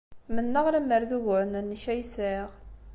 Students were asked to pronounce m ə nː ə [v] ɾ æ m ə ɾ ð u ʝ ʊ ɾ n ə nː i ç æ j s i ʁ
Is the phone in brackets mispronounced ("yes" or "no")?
yes